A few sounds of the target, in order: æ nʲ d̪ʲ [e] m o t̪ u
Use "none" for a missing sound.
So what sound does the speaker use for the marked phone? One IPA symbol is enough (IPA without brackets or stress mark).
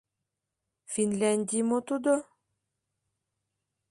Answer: i